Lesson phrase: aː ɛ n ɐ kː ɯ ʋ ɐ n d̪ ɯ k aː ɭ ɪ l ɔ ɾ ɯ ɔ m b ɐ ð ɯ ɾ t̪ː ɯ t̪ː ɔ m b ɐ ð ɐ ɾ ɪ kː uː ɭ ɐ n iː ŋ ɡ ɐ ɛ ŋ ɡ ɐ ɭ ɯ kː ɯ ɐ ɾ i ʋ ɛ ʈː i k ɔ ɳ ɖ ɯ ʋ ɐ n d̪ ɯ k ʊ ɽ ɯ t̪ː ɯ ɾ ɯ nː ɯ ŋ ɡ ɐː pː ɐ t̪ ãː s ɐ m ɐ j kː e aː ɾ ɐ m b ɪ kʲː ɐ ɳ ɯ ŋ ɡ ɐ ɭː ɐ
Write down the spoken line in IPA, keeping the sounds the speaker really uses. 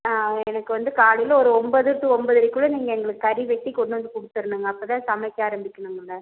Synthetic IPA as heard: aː ɛ n ɐ kː ɯ ʋ ɐ n d̪ ɯ k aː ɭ ɪ l ɔ ɾ ɯ ɔ m b ɐ ð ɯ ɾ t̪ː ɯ ɔ m b ɐ ð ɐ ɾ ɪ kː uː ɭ ɐ n iː ŋ ɡ ɐ ɛ ŋ ɡ ɐ ɭ ɯ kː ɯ ɐ ɾ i ʋ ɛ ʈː i k ɔ ɳ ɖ ɯ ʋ ɐ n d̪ ɯ k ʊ ɽ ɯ t̪ː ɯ ɾ ɯ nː ɯ ŋ ɡ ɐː pː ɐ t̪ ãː s ɐ m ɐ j kː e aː ɾ ɐ m b ɪ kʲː ɐ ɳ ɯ ŋ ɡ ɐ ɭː ɐ